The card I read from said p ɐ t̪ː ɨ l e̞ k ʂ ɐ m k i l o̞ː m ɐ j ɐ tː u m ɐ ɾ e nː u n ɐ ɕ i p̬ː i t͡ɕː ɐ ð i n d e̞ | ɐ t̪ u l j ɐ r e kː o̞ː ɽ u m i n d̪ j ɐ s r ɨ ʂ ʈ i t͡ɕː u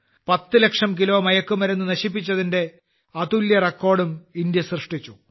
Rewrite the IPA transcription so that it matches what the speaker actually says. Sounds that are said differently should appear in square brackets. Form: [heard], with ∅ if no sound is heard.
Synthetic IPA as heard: p ɐ t̪ː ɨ l e̞ k ʂ ɐ m k i l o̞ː m ɐ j ɐ [kː] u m ɐ ɾ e nː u n ɐ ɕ i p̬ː i t͡ɕː ɐ ð i n d e̞ | ɐ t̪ u l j ɐ r e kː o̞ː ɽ u m i n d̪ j ɐ s r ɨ ʂ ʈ i t͡ɕː u